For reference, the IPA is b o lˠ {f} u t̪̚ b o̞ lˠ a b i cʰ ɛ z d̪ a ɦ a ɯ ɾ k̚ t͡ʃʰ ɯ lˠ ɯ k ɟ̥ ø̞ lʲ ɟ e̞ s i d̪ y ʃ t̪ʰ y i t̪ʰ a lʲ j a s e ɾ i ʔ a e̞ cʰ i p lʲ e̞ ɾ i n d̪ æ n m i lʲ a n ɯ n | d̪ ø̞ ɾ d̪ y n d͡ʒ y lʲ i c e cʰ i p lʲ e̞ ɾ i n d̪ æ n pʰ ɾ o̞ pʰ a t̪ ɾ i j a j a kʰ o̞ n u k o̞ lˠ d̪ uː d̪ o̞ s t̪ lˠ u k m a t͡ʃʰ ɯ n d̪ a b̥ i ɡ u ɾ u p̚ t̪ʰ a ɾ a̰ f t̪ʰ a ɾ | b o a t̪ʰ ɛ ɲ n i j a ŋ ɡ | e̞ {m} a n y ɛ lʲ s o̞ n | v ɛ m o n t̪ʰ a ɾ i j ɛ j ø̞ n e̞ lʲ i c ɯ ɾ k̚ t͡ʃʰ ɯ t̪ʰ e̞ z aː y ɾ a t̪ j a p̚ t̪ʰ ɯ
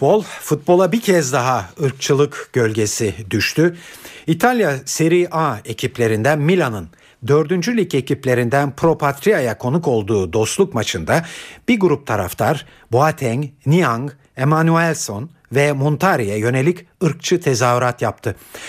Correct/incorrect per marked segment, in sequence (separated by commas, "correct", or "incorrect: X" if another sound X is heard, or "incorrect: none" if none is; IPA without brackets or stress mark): correct, correct